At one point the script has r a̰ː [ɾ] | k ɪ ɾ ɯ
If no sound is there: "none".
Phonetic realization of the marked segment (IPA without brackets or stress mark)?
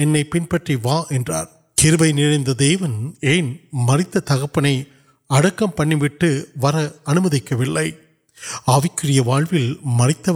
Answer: ɾ